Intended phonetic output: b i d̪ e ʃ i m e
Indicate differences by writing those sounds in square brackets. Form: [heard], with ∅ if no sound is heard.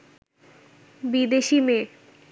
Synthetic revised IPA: b i d̪ e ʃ i m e

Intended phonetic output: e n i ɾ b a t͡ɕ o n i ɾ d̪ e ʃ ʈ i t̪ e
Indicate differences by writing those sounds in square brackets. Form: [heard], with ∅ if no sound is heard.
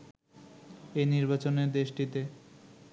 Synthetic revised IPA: e n i ɾ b a t͡ɕ o n [e] ɾ d̪ e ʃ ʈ i t̪ e

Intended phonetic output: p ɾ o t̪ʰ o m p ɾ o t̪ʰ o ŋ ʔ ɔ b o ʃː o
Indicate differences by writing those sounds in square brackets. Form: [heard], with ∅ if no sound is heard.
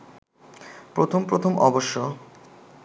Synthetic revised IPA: p ɾ o t̪ʰ o m p ɾ o t̪ʰ o [m] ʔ ɔ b o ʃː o

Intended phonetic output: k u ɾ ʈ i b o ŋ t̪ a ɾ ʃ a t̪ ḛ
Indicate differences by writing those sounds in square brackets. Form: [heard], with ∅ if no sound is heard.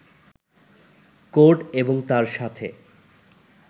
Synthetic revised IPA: k [o] ɾ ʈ [e] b o ŋ t̪ a ɾ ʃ a [t̪ʰ] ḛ

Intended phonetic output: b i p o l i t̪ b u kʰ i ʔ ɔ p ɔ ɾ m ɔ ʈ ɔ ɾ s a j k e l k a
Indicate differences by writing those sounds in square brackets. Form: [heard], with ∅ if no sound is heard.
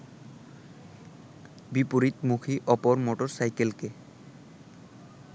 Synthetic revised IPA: b i p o [ɾ] i t̪ [m] u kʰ i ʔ ɔ p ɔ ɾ m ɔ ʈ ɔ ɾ s a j k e l k [e]

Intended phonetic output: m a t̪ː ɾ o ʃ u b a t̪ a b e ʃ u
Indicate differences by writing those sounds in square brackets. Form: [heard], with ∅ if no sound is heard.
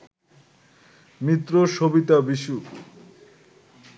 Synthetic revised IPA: m [i] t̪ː ɾ o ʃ [o] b [i] t̪ a b [i] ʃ u

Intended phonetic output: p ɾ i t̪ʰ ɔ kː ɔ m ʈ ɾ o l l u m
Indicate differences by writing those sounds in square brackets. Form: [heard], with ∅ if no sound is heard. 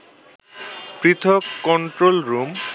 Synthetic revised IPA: p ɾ i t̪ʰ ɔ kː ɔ [ɳ] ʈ ɾ o l [ɾ] u m

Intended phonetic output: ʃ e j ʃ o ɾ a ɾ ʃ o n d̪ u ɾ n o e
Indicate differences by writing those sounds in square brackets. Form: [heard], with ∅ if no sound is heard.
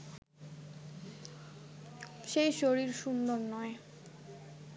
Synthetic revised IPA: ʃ e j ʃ o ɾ [i] ɾ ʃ [u] n d̪ [o] ɾ n [ɔ] e

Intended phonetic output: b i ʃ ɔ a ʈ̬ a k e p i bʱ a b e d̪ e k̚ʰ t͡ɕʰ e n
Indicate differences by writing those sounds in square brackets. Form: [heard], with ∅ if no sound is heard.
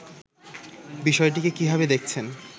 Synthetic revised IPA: b i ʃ ɔ [e] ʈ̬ [i] k e [k] i bʱ a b e d̪ e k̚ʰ t͡ɕʰ e n

